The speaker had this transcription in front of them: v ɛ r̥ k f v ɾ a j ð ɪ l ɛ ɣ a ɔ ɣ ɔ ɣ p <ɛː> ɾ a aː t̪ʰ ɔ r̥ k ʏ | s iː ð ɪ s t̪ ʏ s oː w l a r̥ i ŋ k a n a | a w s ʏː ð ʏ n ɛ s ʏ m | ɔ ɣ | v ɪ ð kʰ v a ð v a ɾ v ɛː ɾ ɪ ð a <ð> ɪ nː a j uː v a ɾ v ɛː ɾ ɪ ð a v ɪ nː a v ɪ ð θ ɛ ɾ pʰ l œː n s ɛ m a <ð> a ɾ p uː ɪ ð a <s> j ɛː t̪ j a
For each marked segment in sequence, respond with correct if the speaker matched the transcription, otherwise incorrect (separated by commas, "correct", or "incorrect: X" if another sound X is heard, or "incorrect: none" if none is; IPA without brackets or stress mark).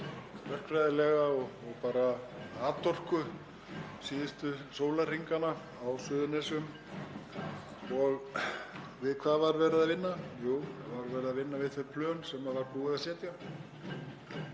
incorrect: aː, incorrect: v, incorrect: v, correct